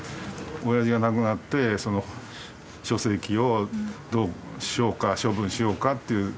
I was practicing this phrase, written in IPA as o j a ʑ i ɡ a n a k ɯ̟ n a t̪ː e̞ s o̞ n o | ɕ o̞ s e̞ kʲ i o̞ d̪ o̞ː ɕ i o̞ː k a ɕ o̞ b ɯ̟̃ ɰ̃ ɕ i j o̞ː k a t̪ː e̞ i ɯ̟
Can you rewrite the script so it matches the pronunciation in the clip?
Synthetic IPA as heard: o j a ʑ i ɡ a n a k ɯ̟ n a t̪ː e̞ s o̞ n o | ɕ o̞ s e̞ kʲ i o̞ d̪ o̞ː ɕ i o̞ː k a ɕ o̞ b ɯ̟̃ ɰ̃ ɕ i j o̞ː k a t̪ː e̞ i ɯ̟